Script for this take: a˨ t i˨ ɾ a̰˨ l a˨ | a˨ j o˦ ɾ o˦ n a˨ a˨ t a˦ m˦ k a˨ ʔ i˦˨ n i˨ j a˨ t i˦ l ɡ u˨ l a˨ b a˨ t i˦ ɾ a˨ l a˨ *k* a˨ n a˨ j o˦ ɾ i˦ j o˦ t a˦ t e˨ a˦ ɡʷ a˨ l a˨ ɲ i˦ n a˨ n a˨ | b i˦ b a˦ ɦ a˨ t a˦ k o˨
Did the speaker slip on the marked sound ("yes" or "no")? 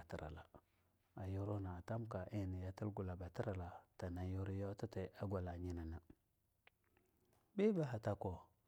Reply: yes